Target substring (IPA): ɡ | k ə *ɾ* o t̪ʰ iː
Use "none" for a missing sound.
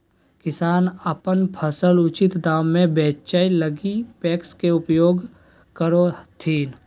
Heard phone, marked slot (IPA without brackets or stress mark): ɾ